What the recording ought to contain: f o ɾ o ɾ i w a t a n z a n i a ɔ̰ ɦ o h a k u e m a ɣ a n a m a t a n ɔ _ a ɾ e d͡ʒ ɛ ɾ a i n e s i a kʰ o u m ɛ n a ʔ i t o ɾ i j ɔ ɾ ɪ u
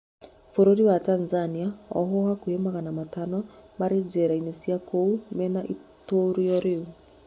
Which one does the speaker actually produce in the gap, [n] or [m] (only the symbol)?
m